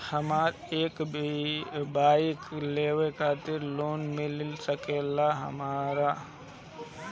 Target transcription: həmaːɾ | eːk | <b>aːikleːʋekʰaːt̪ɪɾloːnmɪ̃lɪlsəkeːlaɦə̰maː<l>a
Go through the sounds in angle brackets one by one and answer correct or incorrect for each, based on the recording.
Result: correct, incorrect: ɾ

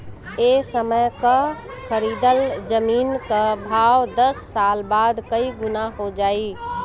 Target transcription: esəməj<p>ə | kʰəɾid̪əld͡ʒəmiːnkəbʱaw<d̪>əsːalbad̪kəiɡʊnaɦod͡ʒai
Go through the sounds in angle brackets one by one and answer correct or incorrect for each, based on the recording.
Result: incorrect: k, correct

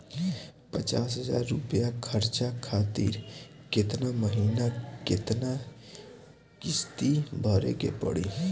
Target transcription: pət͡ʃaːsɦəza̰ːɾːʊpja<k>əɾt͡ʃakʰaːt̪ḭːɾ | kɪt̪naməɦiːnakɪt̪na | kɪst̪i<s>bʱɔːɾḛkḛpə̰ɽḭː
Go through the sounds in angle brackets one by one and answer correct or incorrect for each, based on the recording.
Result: incorrect: kʰ, incorrect: none

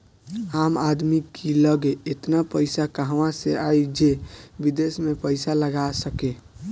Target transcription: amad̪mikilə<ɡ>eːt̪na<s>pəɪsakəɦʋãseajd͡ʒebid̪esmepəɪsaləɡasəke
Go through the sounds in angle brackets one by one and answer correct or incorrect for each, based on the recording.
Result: correct, incorrect: none

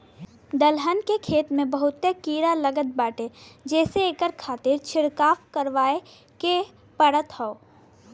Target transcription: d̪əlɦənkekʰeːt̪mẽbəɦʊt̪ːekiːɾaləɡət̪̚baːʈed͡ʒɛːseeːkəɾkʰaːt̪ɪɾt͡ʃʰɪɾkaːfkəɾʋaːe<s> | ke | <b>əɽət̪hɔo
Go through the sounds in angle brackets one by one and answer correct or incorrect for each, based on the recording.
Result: incorrect: none, incorrect: p

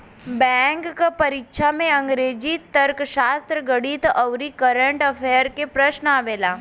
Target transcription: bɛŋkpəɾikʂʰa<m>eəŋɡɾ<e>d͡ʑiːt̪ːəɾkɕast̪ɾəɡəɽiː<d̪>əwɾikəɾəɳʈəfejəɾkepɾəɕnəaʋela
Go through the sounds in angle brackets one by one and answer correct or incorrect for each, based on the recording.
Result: correct, correct, incorrect: t̪

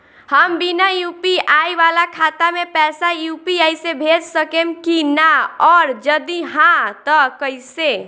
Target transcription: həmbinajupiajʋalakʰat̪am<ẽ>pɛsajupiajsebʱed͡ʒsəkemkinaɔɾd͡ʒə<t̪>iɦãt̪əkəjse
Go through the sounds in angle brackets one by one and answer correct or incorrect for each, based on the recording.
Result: incorrect: e, incorrect: d̪

